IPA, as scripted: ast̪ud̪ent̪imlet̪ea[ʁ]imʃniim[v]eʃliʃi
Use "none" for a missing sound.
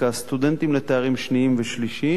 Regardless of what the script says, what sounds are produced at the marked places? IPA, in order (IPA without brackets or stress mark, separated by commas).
ʁ, v